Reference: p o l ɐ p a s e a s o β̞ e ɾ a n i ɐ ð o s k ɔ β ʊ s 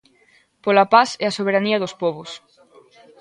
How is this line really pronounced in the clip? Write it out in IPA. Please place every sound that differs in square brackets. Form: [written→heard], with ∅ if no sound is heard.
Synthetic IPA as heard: p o l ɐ p a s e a s o β̞ e ɾ a n i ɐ ð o s [k→p] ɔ β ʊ s